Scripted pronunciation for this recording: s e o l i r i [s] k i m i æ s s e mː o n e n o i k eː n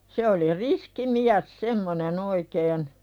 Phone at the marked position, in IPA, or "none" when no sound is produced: s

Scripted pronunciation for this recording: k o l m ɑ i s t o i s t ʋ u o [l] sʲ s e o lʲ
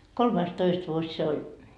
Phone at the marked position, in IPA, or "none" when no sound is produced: none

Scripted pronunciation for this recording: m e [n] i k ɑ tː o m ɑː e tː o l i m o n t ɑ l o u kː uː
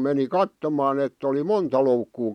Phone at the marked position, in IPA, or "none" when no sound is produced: n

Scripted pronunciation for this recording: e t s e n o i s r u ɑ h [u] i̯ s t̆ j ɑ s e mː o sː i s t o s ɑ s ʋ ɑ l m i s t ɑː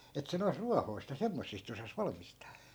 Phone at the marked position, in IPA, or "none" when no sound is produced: o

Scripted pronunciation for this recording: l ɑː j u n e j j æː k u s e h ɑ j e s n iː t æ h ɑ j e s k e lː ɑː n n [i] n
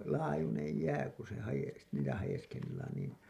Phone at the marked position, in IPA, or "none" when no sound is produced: iː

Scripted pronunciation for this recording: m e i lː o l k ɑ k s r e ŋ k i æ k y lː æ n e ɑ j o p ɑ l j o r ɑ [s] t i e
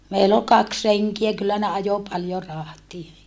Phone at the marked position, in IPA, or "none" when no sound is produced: h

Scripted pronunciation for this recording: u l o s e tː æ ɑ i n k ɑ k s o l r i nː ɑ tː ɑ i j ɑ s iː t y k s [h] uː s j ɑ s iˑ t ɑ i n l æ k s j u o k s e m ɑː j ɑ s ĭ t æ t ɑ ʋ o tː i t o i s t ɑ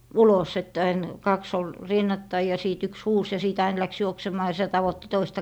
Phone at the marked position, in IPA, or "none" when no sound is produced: h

